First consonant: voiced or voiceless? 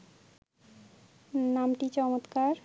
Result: voiced